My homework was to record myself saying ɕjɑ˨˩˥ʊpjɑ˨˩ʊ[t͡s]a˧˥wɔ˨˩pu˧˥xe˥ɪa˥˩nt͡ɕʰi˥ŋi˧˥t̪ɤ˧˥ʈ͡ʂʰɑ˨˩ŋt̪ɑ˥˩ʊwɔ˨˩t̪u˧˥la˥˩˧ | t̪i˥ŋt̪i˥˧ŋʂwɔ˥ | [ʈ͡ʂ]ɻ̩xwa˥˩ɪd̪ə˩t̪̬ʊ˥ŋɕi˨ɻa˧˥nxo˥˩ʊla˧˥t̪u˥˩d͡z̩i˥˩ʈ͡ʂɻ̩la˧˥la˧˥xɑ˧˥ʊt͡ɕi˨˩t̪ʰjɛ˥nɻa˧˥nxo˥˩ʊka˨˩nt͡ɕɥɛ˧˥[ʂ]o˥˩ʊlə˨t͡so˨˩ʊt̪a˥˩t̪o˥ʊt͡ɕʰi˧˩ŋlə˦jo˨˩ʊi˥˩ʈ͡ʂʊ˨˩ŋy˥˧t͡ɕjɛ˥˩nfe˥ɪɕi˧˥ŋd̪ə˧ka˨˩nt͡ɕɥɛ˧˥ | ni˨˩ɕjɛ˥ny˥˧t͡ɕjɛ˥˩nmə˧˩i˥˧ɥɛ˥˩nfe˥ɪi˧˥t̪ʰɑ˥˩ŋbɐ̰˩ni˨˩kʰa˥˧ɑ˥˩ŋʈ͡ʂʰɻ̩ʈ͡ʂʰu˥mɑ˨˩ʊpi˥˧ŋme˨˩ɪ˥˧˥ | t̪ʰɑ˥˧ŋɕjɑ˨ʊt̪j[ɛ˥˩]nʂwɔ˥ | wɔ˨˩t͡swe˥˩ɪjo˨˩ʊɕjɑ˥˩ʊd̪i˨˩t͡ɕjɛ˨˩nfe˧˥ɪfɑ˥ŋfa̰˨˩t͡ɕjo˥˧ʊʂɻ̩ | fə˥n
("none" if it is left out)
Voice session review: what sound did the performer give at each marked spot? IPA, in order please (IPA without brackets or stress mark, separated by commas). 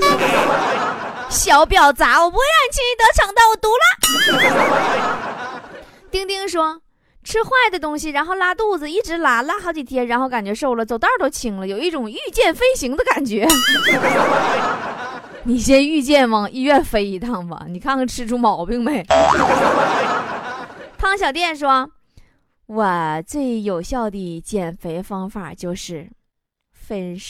t͡s, ʈ͡ʂʰ, ʂ, ɛ˥˩